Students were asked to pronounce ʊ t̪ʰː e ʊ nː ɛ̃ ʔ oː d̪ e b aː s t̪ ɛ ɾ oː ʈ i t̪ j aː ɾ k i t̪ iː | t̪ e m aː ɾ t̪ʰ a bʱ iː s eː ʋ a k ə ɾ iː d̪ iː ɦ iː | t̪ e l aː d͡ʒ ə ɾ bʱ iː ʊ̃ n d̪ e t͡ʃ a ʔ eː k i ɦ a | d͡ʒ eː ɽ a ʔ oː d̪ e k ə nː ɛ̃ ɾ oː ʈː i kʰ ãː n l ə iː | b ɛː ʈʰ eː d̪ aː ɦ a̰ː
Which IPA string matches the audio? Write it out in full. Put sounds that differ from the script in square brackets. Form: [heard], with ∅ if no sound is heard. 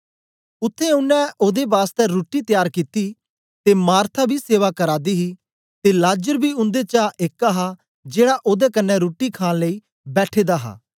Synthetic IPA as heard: ʊ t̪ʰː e ʊ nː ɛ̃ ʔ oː d̪ e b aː s t̪ ɛ ɾ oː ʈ i t̪ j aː ɾ k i t̪ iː | t̪ e m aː ɾ t̪ʰ a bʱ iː s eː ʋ a k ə ɾ [aː] d̪ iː ɦ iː | t̪ e l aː d͡ʒ ə ɾ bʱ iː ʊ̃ n d̪ e t͡ʃ a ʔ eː k [a] ɦ a | d͡ʒ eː ɽ a ʔ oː d̪ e k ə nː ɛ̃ ɾ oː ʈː i kʰ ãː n l ə iː | b ɛː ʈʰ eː d̪ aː ɦ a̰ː